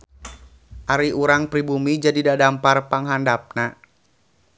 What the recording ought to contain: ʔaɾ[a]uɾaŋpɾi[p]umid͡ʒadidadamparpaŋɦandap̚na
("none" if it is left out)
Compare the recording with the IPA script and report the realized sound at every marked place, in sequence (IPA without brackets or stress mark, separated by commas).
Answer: i, b